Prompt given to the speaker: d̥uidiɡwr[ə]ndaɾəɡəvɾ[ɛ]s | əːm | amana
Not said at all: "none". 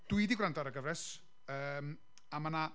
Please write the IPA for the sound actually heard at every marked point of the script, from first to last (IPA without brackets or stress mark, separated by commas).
a, ɛ